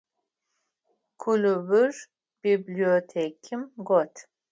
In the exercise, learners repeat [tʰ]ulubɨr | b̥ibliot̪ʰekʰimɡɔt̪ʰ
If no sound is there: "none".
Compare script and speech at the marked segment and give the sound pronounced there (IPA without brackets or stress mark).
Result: kʰ